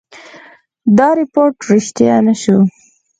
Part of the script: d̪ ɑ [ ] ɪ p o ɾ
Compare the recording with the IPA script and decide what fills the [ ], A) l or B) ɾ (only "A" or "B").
B